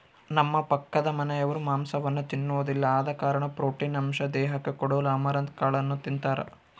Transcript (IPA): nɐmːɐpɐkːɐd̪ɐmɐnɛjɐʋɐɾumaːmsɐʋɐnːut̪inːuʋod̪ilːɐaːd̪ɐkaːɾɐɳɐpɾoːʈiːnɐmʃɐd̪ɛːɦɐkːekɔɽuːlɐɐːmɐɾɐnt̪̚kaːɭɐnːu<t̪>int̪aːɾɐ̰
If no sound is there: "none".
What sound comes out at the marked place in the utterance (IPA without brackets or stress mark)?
t̪